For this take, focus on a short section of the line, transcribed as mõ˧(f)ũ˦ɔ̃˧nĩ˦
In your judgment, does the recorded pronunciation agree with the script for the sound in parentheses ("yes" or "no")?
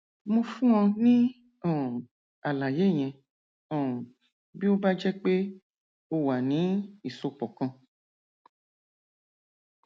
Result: yes